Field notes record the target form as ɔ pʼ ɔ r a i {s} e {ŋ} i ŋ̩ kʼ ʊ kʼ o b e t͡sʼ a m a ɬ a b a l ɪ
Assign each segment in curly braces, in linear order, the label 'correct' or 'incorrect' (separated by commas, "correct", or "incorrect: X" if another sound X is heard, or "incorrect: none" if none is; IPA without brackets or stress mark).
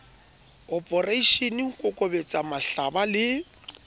incorrect: ʃ, incorrect: n